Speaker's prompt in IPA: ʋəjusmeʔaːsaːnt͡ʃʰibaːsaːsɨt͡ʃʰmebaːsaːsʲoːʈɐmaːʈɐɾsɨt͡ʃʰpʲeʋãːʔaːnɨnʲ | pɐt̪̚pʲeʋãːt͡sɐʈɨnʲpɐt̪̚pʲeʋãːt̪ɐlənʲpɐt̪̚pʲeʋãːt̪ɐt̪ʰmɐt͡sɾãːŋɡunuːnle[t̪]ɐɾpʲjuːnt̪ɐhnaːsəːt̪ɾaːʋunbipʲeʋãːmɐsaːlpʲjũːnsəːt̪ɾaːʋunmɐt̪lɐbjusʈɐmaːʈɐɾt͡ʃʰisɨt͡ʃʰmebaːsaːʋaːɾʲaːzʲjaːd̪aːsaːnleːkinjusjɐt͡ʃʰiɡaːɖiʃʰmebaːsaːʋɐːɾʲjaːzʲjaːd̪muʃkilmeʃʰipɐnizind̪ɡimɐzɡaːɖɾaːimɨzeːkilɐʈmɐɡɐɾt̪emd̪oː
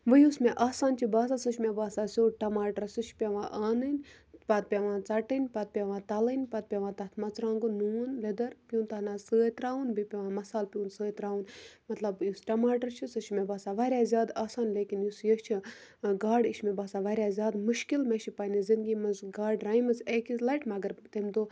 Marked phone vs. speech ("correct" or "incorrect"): incorrect